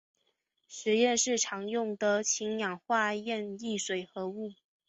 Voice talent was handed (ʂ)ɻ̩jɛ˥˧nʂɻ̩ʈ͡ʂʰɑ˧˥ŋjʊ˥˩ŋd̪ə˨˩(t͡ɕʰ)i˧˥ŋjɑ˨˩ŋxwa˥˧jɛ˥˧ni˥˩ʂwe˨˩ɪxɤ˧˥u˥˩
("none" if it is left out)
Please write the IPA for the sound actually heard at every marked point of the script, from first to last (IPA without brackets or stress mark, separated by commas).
ʂ, t͡ɕʰ